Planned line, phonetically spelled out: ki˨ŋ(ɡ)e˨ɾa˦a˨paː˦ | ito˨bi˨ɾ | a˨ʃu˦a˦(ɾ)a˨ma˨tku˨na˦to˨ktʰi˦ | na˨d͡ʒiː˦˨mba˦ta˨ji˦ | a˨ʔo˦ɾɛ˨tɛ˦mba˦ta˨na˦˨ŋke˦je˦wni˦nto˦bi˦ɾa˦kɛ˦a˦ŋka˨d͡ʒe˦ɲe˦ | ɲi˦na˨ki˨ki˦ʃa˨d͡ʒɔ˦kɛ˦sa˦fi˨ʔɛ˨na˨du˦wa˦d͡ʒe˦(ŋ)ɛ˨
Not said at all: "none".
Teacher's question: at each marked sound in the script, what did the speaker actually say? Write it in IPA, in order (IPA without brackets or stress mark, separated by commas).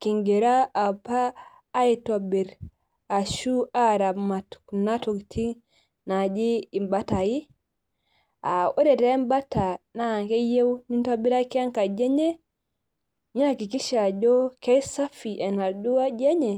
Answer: ɡ, ɾ, ɲ